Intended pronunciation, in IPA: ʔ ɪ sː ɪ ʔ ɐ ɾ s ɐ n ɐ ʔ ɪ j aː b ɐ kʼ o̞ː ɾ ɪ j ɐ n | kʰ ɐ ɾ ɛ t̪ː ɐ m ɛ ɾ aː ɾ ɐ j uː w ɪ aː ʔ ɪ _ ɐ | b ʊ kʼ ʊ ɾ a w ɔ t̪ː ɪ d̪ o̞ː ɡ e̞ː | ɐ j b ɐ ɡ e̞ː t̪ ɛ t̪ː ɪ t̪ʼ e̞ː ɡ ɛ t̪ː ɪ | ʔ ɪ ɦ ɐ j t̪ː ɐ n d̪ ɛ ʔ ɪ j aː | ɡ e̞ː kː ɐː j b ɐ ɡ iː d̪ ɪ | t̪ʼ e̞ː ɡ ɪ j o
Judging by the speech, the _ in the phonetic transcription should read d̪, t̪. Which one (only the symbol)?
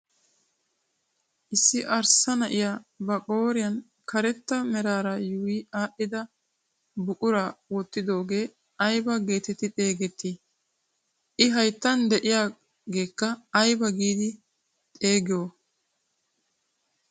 d̪